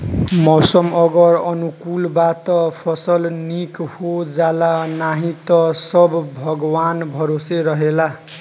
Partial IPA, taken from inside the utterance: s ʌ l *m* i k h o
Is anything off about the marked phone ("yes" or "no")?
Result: yes